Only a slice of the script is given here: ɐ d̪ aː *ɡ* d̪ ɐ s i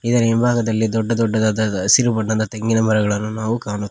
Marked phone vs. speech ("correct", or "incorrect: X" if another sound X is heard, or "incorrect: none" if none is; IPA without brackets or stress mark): incorrect: none